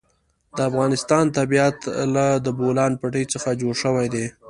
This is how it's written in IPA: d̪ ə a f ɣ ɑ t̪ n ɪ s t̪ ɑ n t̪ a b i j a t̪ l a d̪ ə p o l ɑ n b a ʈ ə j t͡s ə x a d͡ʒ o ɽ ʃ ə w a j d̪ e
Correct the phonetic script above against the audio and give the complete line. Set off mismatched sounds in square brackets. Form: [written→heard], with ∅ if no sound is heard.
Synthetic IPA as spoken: d̪ ə a f ɣ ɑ [t̪→∅] n ɪ s t̪ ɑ n t̪ a b i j a t̪ l a d̪ ə [p→b] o l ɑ n [b→p] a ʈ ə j t͡s ə x a d͡ʒ o ɽ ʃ ə w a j d̪ e